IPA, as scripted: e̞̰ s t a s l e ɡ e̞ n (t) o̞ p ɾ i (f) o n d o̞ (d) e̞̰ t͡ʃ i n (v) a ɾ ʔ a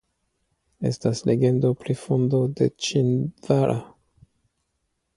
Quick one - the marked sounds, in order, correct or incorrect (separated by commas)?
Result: incorrect, correct, correct, correct